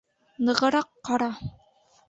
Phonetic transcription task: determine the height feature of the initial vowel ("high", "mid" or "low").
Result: mid